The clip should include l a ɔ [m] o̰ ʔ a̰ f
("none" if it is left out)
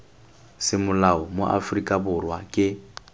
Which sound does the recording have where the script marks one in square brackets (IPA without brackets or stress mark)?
m